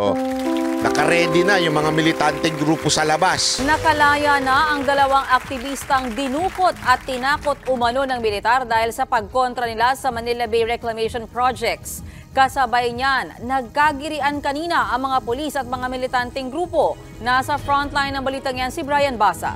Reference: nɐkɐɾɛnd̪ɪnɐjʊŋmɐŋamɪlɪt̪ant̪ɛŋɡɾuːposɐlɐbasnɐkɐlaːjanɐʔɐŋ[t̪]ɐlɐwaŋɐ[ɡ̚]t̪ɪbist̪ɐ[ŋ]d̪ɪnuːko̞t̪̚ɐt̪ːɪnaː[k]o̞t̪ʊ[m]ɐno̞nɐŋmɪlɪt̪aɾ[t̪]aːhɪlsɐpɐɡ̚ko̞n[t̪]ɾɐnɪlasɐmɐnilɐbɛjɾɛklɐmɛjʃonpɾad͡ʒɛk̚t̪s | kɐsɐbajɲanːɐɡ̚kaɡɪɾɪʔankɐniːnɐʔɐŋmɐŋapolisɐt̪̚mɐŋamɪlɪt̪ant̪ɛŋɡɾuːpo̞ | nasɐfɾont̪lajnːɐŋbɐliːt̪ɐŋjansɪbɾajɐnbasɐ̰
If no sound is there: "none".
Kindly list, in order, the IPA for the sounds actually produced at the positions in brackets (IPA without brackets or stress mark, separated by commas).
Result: d̪, k̚, ŋ, k, m, d̪, t̪